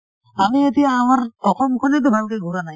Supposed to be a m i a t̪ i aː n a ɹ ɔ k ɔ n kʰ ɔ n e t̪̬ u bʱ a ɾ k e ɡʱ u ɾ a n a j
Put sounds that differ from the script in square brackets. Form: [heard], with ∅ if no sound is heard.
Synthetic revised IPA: a m i [e] t̪ i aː [m] a [ɾ] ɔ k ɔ [m] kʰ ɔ n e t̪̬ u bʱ a [l] k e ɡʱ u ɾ a n a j